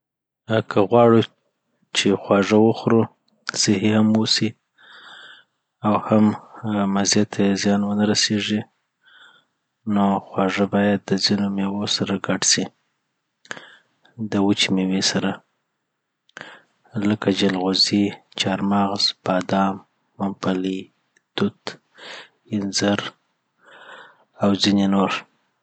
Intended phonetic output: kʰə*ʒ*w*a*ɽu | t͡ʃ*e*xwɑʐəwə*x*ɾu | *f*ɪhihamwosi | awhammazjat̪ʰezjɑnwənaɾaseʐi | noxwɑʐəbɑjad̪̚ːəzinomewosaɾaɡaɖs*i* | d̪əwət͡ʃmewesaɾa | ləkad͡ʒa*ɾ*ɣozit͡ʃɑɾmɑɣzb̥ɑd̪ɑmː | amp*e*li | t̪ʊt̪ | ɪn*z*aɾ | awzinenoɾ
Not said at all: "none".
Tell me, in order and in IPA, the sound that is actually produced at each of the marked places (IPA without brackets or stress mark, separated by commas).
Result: ɣ, ɑ, e, x, s, i, l, a, z